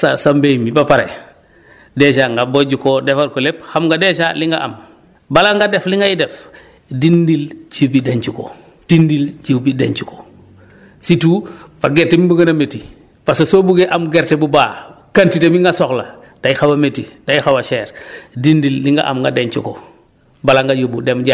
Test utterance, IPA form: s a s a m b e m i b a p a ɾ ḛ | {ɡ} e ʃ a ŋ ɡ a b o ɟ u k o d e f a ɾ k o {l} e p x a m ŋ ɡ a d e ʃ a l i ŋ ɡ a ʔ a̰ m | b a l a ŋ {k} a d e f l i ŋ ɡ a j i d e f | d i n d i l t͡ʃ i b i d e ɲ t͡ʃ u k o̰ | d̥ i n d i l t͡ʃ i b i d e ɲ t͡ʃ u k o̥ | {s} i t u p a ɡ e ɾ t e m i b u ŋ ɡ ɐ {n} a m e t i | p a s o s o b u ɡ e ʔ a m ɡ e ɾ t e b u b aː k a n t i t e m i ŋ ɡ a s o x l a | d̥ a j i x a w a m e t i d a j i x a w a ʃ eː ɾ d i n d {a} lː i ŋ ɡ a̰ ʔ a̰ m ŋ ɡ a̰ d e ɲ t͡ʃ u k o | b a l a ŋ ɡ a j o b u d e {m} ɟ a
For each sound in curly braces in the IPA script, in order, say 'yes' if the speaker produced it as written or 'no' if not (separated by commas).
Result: no, yes, no, yes, yes, no, yes